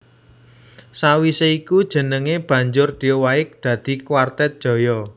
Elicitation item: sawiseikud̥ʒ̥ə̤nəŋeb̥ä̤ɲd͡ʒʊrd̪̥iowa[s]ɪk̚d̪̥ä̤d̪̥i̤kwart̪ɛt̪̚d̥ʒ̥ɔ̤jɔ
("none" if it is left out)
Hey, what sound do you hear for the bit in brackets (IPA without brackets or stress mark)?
none